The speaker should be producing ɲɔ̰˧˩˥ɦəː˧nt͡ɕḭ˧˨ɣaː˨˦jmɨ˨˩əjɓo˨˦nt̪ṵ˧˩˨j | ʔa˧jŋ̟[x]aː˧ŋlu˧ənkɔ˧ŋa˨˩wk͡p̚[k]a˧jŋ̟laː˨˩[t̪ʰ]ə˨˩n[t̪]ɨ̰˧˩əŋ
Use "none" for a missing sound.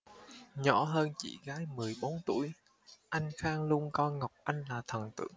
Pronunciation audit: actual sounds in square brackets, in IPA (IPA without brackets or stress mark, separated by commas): x, ʔ, t̪ʰ, t̪